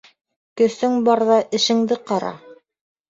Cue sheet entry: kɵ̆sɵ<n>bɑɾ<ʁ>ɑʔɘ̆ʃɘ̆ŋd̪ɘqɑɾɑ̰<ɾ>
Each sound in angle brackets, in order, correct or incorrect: incorrect: ŋ, incorrect: ð, incorrect: none

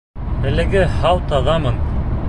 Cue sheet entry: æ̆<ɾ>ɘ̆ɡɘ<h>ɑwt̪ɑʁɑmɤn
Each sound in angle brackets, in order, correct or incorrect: incorrect: l, correct

